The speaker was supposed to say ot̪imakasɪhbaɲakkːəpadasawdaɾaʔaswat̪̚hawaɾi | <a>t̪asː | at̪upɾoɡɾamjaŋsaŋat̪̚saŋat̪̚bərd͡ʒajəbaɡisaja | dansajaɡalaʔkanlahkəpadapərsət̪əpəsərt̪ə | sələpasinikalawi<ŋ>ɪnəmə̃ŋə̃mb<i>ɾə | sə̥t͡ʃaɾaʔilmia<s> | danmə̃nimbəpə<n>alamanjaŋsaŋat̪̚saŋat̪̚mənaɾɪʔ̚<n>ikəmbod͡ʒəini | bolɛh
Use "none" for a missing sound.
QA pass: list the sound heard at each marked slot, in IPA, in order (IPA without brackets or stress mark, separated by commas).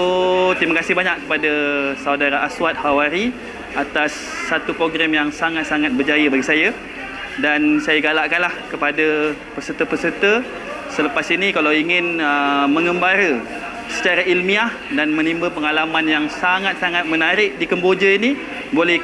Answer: a, ŋ, a, h, ŋ, d